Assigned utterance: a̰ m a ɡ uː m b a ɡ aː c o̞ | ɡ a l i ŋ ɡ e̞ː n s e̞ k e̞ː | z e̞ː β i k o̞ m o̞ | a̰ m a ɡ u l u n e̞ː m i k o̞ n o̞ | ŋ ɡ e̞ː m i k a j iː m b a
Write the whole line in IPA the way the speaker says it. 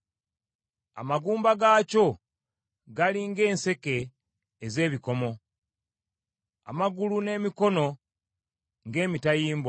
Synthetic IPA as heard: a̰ m a ɡ uː m b a ɡ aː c o̞ | ɡ a l i ŋ ɡ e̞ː n s e̞ k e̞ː | z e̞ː β i k o̞ m o̞ | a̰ m a ɡ u l u n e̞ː m i k o̞ n o̞ | ŋ ɡ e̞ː m i t a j iː m b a